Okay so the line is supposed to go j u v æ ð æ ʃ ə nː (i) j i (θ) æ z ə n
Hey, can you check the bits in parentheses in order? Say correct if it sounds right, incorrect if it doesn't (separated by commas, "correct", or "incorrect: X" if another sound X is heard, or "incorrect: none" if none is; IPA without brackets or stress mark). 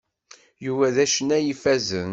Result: incorrect: æ, incorrect: f